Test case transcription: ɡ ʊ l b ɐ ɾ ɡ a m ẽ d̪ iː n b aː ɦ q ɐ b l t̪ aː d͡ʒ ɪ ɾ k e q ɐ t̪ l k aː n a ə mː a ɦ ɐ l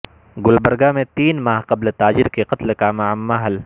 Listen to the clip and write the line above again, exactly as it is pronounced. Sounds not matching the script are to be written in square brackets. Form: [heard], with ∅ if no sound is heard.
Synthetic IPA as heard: ɡ ʊ l b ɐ ɾ ɡ a m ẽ [t̪] iː n [m] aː ɦ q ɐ b l t̪ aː d͡ʒ ɪ ɾ k e q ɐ t̪ l k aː [m] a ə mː a ɦ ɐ l